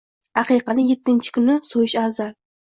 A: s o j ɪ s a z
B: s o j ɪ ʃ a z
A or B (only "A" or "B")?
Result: B